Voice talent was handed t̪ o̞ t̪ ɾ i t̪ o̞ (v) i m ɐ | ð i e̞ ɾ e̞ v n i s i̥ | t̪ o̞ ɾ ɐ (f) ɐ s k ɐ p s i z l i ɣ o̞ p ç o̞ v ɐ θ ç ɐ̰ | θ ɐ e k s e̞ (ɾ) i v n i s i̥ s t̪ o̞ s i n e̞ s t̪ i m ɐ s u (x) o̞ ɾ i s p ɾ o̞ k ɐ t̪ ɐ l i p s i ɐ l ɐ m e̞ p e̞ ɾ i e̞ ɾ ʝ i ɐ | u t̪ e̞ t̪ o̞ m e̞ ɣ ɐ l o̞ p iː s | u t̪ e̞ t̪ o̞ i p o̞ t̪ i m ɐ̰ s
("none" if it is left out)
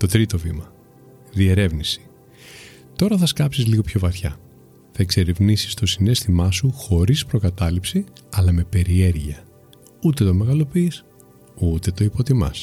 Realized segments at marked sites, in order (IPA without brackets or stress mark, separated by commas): v, θ, ɾ, x